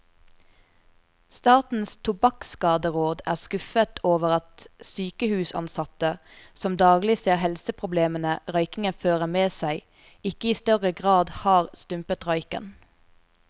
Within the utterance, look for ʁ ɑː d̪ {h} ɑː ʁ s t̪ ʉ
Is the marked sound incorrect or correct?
correct